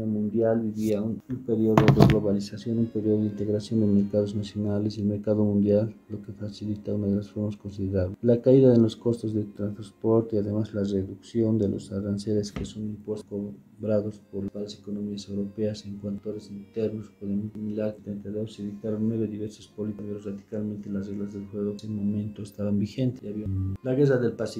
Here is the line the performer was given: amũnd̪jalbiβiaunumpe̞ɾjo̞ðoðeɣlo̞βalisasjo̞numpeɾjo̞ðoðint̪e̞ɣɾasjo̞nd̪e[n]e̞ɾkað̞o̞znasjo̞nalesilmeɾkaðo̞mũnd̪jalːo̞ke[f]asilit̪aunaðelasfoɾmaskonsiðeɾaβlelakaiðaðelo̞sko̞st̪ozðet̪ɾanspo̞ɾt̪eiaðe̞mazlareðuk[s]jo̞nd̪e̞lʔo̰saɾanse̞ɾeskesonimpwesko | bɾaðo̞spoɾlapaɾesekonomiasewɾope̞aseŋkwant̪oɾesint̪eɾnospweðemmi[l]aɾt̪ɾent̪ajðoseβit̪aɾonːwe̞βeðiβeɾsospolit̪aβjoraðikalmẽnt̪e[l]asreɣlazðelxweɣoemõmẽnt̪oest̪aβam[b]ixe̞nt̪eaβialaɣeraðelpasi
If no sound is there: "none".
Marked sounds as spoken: m, f, s, l, l, b

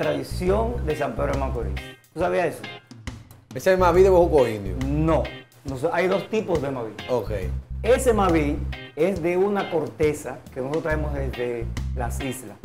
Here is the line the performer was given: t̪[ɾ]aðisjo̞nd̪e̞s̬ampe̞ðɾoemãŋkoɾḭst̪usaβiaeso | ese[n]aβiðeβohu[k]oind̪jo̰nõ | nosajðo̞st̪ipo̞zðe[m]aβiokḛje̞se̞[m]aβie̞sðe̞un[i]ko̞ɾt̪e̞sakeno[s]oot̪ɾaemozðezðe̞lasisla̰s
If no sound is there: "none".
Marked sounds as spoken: ɾ, m, k, m, m, a, s

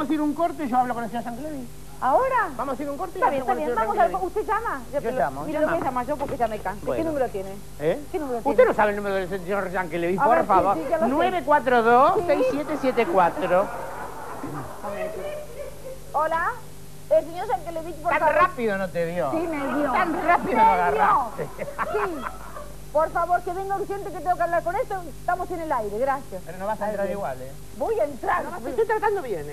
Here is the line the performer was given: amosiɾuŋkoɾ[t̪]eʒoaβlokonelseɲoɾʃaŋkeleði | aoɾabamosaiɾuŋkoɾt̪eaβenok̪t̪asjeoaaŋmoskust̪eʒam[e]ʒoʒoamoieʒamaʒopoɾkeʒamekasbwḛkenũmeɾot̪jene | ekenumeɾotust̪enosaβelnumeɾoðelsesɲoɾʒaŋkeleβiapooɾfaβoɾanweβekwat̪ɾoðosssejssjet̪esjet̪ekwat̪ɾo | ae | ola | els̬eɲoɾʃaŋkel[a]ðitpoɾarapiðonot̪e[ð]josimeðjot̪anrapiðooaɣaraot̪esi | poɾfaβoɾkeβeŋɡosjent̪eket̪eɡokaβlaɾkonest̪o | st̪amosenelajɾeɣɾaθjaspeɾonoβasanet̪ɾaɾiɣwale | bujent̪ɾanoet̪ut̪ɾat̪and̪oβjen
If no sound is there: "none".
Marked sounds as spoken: t̪, a, e, ð

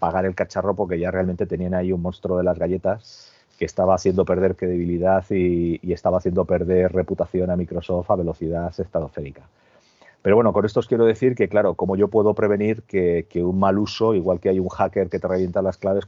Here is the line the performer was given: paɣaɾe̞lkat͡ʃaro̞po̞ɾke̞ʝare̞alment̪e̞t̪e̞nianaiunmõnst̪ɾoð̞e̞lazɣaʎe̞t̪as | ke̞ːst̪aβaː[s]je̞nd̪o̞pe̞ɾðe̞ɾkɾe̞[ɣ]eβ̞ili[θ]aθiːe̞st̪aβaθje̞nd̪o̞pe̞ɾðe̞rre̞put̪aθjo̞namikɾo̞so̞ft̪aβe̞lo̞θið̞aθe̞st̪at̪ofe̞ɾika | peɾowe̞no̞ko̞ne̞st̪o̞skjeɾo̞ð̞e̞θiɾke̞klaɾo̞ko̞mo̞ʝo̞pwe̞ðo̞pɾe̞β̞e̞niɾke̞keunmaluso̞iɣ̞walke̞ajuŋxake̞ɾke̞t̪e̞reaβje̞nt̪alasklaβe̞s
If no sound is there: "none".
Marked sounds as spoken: θ, ð, ð

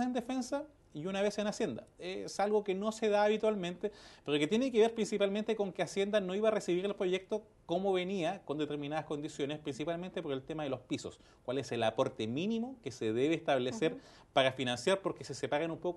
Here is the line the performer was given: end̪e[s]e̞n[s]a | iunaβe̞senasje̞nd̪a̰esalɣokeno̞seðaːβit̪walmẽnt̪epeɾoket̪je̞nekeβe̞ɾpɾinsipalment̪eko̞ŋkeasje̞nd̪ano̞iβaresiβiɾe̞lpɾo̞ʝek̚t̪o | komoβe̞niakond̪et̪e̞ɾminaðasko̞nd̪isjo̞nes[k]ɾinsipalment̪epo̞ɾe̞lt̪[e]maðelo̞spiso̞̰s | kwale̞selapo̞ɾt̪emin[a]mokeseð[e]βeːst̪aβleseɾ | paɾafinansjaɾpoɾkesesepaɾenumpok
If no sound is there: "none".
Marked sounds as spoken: f, s, p, e, i, e

